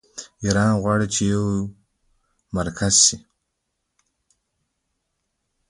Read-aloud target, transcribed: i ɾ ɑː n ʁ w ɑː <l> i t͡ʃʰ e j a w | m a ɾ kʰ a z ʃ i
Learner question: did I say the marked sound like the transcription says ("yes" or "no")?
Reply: no